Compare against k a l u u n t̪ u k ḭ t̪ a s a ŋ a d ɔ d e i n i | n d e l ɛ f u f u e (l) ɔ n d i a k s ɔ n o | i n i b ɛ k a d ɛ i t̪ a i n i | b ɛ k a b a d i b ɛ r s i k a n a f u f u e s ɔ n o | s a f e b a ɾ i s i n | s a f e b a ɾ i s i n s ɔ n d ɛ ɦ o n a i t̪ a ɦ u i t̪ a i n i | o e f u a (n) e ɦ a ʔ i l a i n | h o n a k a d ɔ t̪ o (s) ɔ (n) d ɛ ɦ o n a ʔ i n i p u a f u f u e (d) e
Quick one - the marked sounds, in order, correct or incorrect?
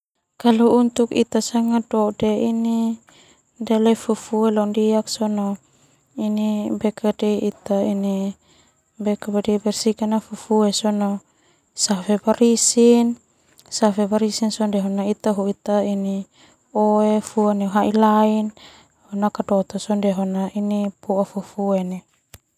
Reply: correct, correct, correct, correct, incorrect: n

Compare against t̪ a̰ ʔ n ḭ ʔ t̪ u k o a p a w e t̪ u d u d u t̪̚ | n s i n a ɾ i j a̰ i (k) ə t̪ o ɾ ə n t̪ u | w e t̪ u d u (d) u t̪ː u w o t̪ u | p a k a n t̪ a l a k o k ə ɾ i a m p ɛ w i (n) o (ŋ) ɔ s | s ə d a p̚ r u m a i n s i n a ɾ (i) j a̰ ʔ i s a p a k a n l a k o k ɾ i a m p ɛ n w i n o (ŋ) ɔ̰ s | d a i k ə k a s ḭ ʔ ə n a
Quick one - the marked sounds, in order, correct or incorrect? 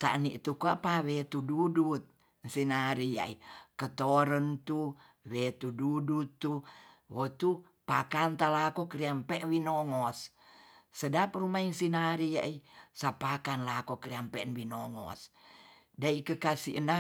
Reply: correct, correct, correct, correct, correct, correct

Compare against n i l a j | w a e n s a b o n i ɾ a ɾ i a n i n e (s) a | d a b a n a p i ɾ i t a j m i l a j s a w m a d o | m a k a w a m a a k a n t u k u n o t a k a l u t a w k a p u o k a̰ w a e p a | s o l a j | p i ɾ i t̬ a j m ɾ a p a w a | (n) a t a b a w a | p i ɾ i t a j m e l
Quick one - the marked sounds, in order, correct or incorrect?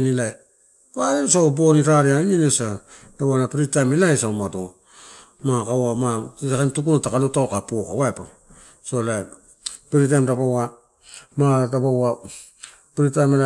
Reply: correct, incorrect: m

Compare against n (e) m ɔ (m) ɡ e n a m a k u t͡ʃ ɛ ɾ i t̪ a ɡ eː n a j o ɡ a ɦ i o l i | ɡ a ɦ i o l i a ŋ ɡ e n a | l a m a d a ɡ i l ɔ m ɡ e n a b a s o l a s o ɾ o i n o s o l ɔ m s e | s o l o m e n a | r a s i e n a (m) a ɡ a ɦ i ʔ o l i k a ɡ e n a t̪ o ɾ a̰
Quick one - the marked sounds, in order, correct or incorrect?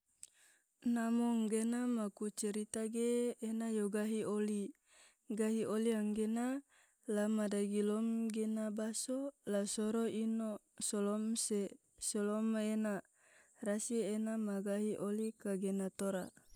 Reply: incorrect: a, incorrect: ŋ, correct

